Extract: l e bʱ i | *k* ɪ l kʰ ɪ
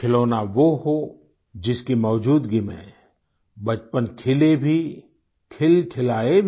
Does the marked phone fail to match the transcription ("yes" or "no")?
yes